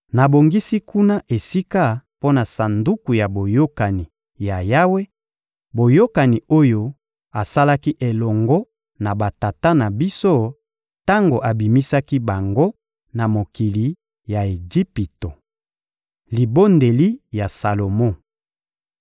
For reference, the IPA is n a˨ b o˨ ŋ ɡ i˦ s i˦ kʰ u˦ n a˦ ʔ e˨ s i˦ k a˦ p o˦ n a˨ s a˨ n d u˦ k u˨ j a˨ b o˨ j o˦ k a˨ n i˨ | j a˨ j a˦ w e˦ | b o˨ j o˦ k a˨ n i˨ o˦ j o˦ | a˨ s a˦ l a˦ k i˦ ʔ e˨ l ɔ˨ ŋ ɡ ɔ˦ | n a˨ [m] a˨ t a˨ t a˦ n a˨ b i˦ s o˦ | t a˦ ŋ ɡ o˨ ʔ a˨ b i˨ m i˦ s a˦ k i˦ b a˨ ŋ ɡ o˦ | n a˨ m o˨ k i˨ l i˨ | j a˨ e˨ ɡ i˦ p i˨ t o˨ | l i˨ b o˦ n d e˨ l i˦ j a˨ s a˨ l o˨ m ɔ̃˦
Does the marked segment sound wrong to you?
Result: yes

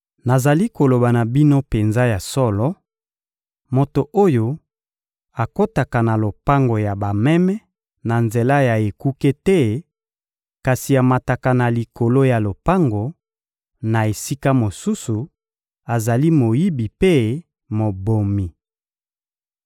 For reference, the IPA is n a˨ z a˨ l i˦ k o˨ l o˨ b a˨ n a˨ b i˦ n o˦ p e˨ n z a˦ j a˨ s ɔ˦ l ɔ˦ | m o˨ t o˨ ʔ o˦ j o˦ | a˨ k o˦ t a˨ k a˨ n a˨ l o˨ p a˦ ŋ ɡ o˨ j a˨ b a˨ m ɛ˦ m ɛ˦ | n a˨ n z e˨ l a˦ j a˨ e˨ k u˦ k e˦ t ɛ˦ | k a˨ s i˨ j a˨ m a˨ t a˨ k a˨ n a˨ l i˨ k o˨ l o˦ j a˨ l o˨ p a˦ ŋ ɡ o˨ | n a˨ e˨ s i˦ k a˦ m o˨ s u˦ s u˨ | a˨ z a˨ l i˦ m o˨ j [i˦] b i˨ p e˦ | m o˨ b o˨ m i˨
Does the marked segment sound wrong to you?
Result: no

